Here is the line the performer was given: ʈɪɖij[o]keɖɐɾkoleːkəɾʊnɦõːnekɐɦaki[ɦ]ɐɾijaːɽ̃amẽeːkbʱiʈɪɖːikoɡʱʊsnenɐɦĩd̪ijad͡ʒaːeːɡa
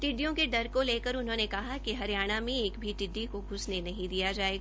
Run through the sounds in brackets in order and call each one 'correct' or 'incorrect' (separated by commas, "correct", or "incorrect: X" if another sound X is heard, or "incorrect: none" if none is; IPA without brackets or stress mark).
incorrect: õ, correct